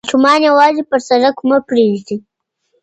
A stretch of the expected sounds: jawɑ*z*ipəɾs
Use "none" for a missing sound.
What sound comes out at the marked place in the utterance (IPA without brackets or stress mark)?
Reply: z